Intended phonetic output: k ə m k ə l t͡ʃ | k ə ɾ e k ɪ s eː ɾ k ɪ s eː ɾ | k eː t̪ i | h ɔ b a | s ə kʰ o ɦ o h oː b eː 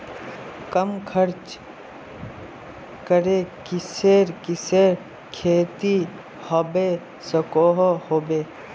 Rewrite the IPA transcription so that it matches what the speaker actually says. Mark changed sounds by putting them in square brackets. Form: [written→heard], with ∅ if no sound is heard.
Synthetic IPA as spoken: k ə m [k→kʰ] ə [l→ɾ] t͡ʃ | k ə ɾ e k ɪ s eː ɾ k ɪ s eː ɾ | [k→kʰ] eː t̪ i | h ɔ b [a→e] | s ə [kʰ→k] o ɦ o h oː b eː